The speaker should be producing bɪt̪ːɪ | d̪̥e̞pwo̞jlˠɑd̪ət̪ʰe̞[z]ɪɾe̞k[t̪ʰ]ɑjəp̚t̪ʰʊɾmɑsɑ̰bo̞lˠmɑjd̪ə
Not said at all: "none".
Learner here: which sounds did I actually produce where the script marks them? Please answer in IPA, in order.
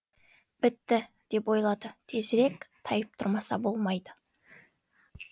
z, t̪ʰ

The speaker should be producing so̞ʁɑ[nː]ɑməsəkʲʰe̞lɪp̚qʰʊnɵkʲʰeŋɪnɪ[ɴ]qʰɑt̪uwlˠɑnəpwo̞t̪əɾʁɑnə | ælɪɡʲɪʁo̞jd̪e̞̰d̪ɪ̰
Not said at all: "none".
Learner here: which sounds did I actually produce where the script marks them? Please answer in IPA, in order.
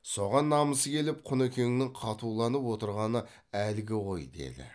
nː, ŋ

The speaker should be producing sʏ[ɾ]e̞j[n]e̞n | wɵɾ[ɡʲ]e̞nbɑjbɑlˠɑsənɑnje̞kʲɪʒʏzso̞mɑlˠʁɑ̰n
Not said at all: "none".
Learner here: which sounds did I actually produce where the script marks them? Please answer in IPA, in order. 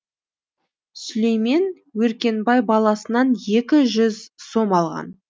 l, m, kʲ

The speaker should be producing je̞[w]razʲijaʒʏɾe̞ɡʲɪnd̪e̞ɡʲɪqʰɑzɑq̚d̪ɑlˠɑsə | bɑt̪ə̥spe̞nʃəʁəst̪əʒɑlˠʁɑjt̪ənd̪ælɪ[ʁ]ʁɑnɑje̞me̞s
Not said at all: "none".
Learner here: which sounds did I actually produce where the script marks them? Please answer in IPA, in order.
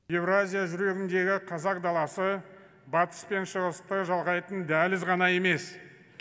v, z

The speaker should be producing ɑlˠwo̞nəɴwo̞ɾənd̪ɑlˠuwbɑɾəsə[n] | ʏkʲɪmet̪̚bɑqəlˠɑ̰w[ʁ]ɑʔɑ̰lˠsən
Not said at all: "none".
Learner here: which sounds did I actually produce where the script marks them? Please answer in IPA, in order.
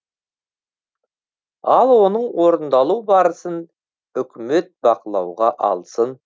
n, ʁ

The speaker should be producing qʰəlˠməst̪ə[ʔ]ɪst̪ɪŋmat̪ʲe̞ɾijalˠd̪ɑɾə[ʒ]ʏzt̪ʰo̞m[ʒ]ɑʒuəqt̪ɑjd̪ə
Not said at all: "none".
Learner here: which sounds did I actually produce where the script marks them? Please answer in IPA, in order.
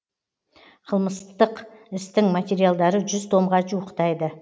q, ʒ, ʁ

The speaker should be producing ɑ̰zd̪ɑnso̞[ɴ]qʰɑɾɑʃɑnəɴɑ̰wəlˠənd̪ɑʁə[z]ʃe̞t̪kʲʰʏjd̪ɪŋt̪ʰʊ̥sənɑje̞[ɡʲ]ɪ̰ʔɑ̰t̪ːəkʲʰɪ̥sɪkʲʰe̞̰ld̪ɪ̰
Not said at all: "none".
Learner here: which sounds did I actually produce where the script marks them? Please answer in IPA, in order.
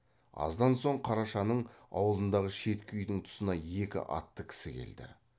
ɴ, none, kʲ

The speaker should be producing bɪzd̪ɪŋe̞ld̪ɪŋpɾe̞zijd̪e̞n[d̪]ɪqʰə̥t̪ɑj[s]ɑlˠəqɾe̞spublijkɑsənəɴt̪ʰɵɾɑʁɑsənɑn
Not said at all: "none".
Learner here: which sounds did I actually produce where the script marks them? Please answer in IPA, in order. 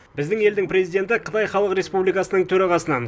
t̪, χ

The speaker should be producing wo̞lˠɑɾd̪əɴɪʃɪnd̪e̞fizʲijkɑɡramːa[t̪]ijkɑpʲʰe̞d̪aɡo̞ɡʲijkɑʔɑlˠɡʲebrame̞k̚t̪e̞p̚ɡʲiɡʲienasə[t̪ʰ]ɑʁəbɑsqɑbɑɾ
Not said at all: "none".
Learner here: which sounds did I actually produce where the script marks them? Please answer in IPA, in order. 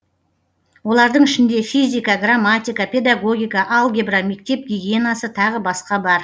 t̪, t̪ʰ

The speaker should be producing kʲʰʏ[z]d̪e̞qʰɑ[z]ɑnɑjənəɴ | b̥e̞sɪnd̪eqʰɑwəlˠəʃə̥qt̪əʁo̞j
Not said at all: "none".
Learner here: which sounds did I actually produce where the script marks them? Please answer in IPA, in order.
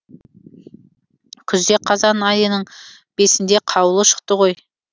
z, z

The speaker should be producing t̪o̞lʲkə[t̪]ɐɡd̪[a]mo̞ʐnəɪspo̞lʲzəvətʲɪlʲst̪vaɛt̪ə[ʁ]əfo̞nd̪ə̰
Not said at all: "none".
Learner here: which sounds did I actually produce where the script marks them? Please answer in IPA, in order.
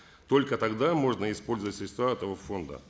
t̪, a, v

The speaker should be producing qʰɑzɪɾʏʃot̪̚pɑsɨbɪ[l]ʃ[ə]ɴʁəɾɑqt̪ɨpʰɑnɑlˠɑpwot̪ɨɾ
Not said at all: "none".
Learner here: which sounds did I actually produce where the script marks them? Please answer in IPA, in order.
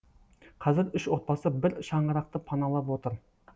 ɾ, ɑ

